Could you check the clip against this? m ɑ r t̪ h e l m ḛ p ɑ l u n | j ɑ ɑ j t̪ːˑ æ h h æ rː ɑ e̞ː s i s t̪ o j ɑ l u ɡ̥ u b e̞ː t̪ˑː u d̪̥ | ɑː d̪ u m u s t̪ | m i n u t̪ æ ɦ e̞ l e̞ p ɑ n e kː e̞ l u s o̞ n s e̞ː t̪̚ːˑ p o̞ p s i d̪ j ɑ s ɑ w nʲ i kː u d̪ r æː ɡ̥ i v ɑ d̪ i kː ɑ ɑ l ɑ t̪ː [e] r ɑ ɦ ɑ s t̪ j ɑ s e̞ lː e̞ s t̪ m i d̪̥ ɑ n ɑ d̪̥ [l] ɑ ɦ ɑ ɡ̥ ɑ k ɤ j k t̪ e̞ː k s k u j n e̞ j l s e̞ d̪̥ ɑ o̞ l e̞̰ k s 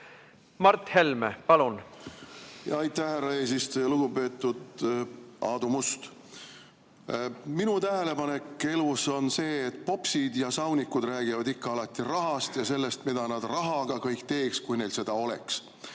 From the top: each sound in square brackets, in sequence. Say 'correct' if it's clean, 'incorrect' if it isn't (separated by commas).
incorrect, incorrect